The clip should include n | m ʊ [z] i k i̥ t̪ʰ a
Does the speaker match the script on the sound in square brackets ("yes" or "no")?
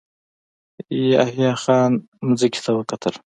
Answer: yes